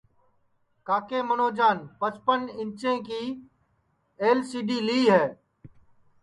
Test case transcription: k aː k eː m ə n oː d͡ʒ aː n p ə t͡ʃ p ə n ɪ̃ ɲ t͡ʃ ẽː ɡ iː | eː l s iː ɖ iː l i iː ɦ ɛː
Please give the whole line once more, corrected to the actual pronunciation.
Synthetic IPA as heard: k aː k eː m ə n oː d͡ʒ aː n p ə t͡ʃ p ə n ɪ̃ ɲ t͡ʃ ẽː k iː | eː l s iː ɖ iː l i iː ɦ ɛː